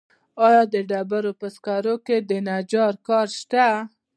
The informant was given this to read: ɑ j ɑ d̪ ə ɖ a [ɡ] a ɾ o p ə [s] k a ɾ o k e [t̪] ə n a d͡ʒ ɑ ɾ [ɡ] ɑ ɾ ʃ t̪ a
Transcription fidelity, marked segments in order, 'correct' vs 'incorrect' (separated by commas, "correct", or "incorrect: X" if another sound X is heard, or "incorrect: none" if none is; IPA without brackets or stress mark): incorrect: b, correct, incorrect: d̪, incorrect: k